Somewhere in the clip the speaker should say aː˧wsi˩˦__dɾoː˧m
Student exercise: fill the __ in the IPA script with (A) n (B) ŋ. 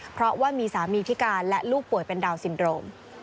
A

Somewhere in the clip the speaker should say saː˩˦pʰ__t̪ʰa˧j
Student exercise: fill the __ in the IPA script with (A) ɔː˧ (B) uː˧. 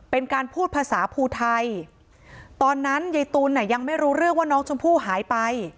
B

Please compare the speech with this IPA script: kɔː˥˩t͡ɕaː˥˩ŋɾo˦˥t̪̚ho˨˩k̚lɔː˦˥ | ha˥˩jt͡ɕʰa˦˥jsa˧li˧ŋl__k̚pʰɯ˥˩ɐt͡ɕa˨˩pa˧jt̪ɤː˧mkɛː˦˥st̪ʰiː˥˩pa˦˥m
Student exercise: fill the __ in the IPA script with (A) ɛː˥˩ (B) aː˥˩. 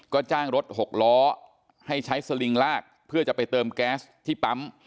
B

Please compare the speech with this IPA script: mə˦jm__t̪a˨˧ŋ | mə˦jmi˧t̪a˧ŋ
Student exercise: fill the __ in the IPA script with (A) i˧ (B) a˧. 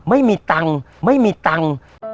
A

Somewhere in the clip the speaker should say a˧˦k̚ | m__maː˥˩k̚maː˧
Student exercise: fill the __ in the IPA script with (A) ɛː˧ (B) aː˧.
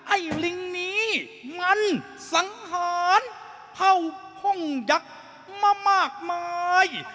B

